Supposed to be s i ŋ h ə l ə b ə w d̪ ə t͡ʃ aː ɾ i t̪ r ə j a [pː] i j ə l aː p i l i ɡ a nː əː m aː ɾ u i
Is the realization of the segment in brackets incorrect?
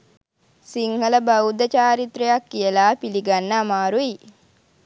yes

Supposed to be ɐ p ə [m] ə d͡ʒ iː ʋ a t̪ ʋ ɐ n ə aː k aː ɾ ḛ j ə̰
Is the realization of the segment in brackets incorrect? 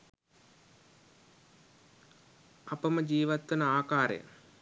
no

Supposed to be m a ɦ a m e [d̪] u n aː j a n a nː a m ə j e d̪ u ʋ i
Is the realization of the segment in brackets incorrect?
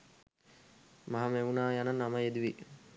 yes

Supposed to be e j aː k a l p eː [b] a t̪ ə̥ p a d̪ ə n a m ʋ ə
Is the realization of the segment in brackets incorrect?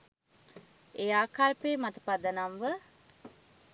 yes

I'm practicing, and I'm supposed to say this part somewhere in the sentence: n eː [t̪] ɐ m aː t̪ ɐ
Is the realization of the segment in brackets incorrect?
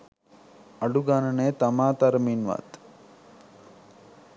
no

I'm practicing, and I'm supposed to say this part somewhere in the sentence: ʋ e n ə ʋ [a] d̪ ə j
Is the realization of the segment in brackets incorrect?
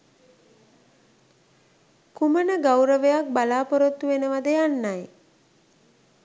no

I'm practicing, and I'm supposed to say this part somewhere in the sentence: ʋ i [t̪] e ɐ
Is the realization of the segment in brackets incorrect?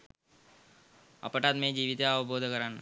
no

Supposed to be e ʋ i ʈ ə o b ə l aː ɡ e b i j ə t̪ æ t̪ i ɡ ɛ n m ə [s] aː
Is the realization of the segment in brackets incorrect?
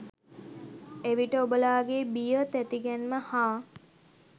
yes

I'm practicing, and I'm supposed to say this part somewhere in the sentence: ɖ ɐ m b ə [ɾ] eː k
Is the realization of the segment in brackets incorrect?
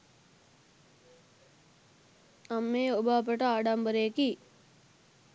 no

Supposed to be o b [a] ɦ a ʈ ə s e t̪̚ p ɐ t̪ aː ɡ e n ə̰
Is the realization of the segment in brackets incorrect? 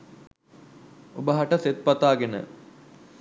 yes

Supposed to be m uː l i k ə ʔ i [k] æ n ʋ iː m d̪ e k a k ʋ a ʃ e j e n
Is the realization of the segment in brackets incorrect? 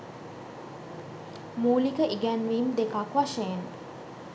yes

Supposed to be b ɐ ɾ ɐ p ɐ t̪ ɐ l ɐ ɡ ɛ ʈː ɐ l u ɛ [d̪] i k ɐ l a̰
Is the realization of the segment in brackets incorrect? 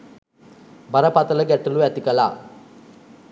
yes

